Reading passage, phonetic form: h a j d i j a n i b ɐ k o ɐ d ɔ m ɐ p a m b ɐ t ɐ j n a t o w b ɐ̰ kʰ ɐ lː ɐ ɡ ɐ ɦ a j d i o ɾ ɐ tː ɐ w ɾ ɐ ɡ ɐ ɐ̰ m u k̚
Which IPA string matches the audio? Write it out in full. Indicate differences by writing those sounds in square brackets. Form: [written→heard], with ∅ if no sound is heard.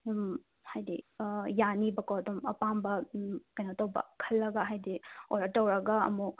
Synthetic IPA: h a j d i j a n i b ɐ k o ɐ d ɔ m ɐ p a m b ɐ [t→k] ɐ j n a t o w b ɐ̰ kʰ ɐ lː ɐ ɡ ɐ ɦ a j d i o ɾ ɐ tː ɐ w ɾ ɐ ɡ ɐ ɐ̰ m u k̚